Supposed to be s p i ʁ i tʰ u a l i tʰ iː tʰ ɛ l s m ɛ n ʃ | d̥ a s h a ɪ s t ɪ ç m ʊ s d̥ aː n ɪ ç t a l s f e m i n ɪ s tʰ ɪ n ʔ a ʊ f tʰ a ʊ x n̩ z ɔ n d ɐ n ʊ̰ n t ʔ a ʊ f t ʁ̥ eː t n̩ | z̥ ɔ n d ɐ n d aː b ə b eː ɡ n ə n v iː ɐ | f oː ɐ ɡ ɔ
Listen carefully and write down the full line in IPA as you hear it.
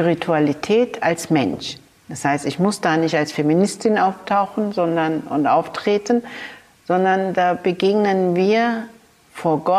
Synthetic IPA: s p i ʁ i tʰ u a l i tʰ ɛː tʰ a l s m ɛ n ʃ | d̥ a s h a ɪ s t ɪ ç m ʊ s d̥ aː n ɪ ç t a l s f e m i n ɪ s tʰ ɪ n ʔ a ʊ f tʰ a ʊ x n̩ z ɔ n d ɐ n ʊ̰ n t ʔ a ʊ f t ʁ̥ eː t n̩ | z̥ ɔ n d ɐ n d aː b ə ɡ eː ɡ n ə n v iː ɐ | f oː ɐ ɡ ɔ